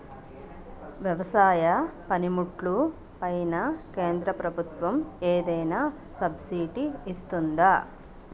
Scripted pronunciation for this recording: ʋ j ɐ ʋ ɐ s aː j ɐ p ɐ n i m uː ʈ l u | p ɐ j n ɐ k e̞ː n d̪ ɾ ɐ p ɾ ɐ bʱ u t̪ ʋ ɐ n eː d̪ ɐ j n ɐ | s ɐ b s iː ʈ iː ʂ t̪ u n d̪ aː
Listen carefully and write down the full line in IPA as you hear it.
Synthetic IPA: ʋ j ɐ ʋ ɐ s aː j ɐ p ɐ n i m u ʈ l u | p ɐ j n ɐ k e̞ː n d̪ ɾ ɐ p ɾ ɐ bʱ u t̪ ʋ ɐ m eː d̪ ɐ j n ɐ | s ɐ b s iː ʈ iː s t̪ u n d̪ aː